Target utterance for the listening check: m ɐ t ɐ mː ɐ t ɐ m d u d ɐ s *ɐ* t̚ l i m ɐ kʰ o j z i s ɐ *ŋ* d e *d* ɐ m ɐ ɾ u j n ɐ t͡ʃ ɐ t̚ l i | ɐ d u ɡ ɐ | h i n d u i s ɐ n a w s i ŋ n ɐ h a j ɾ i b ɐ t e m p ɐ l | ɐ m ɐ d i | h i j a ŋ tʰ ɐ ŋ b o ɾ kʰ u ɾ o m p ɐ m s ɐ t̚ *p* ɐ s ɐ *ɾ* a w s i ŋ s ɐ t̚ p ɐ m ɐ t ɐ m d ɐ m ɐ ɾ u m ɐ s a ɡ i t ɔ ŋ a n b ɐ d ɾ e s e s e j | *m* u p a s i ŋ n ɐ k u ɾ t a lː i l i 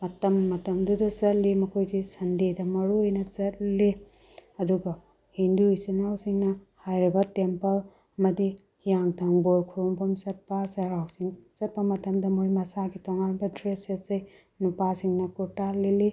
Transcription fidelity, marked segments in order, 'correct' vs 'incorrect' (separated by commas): correct, incorrect, correct, correct, correct, incorrect